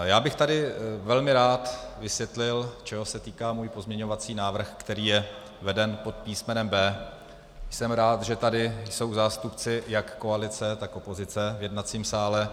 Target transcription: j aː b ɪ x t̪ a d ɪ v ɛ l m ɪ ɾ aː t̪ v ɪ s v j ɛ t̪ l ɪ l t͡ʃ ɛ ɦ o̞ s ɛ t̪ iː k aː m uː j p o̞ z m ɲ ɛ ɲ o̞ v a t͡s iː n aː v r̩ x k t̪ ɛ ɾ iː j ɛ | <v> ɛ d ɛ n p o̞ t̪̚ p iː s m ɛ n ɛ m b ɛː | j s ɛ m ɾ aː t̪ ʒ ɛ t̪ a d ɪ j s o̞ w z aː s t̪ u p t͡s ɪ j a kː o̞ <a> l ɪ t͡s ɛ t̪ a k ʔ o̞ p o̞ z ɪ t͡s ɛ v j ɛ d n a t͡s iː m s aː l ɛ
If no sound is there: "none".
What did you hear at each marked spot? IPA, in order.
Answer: v, a

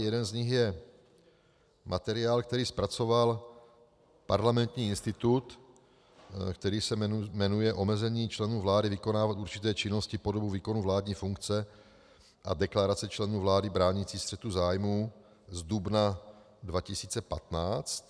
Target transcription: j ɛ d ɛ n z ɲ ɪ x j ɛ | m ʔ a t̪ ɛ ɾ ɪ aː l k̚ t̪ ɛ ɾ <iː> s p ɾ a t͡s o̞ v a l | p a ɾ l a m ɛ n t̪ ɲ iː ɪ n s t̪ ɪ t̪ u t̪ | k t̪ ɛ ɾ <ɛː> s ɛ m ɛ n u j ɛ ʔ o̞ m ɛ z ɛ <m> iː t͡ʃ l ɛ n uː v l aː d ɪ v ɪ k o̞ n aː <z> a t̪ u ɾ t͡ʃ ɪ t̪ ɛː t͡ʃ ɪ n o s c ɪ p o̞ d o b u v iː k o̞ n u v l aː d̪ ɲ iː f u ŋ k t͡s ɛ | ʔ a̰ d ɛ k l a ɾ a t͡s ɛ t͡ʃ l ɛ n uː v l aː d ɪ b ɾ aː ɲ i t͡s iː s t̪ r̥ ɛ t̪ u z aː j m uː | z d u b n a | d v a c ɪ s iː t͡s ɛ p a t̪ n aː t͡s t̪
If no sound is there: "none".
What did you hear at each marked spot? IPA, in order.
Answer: iː, iː, ɲ, v

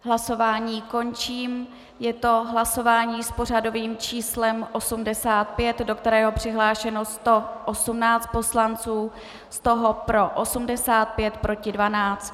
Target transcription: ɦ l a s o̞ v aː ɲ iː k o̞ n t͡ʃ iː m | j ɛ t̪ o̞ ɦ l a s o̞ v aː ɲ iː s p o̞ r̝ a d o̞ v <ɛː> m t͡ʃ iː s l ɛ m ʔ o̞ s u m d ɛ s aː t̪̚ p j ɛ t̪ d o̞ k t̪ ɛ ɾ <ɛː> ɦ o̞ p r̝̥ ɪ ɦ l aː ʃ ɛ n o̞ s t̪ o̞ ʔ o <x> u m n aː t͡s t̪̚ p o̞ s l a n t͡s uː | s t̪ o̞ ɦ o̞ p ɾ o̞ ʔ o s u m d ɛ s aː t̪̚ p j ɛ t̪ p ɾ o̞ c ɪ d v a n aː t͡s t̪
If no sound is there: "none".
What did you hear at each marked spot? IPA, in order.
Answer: iː, ɛː, s

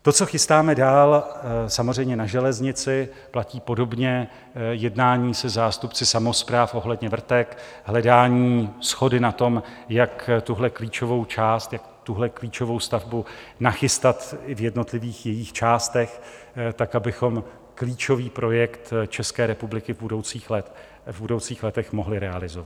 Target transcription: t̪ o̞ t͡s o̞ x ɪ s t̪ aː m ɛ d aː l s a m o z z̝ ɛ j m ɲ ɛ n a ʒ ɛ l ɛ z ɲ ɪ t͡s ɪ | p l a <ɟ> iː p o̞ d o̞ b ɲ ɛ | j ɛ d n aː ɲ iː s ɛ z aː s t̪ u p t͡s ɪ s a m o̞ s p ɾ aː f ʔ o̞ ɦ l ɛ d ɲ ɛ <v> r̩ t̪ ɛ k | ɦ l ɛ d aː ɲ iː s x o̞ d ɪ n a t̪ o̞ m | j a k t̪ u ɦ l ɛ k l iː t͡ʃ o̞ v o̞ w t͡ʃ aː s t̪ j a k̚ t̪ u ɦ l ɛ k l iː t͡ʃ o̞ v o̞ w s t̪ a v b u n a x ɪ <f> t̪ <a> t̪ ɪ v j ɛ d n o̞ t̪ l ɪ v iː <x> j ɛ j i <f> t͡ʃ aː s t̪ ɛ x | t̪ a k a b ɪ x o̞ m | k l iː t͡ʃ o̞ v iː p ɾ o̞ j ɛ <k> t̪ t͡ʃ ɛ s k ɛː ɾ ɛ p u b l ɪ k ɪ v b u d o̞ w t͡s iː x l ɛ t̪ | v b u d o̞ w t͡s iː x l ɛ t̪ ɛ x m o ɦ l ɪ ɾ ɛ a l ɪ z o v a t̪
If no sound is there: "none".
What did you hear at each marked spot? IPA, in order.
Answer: c, v, s, a, x, x, k

